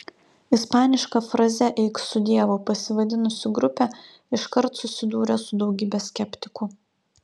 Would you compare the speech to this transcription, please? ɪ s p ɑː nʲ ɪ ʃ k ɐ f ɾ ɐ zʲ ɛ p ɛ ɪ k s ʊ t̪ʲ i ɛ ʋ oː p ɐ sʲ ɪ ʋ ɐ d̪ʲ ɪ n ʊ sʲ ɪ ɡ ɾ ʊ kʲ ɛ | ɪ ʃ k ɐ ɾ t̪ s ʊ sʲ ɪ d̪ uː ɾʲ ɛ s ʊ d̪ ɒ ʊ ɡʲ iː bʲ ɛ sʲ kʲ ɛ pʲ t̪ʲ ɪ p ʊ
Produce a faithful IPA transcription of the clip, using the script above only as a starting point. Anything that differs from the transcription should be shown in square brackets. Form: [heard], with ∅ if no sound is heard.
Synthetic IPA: ɪ s p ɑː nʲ ɪ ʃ k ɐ f ɾ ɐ zʲ ɛ [ʔ] ɛ ɪ k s ʊ [d̪ʲ] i ɛ ʋ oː p ɐ sʲ ɪ ʋ ɐ d̪ʲ ɪ n ʊ sʲ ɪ ɡ ɾ ʊ [pʲ] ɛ | ɪ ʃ k ɐ ɾ t̪ s ʊ sʲ ɪ d̪ uː ɾʲ ɛ s ʊ d̪ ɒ ʊ ɡʲ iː bʲ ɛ sʲ kʲ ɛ pʲ t̪ʲ ɪ [k] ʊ